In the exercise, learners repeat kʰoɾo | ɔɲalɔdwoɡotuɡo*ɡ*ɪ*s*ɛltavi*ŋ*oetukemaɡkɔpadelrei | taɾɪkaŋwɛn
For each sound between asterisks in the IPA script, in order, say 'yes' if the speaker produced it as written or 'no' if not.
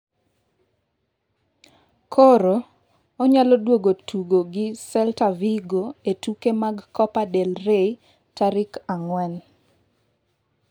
yes, yes, no

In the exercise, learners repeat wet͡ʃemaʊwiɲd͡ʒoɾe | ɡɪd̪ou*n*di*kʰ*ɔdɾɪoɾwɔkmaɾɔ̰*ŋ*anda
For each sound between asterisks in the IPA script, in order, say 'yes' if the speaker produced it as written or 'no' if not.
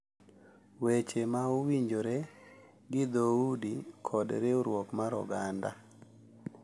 no, yes, no

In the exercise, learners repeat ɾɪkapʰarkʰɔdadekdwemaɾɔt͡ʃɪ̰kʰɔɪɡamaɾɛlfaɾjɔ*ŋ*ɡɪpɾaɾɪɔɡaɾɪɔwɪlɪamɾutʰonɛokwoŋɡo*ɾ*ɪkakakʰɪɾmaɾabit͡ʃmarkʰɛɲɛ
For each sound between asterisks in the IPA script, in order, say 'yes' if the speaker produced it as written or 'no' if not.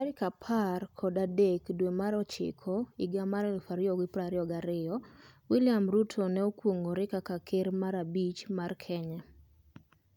no, yes

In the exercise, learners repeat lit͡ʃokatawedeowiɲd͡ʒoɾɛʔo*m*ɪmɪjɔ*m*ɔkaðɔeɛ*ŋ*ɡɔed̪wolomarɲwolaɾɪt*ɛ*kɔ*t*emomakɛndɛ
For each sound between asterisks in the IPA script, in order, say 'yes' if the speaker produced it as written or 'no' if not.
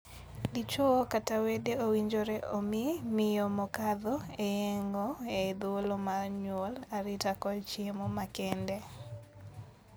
yes, yes, yes, no, no

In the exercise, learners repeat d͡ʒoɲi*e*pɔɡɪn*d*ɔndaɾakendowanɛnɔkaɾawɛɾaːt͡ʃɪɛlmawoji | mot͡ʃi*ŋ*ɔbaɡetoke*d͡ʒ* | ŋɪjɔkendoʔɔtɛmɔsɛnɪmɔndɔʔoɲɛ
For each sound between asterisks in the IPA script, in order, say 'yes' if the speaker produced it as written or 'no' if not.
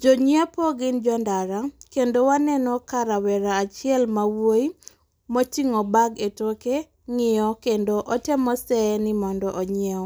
no, no, yes, no

